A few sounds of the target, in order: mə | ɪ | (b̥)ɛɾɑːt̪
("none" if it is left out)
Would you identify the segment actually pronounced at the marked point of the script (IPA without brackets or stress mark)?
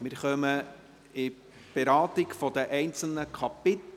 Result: b̥